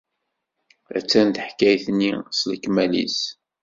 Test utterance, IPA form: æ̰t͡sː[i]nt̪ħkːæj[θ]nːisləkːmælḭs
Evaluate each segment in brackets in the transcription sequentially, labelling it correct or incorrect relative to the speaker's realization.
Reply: incorrect: æ, correct

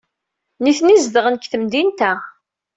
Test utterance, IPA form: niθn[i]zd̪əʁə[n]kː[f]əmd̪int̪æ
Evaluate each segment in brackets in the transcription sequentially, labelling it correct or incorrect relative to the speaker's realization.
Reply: correct, correct, incorrect: θ

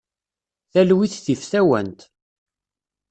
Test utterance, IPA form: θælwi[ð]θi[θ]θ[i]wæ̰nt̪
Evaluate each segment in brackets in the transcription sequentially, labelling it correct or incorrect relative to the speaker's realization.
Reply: incorrect: θ, incorrect: f, incorrect: æ

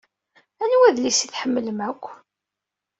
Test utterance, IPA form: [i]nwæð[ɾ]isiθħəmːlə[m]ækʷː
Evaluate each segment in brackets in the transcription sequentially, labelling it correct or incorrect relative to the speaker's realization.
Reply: incorrect: æ, incorrect: l, correct

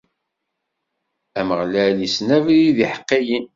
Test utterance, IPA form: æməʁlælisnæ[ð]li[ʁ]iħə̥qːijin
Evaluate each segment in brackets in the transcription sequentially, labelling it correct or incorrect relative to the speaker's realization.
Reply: incorrect: v, incorrect: ð

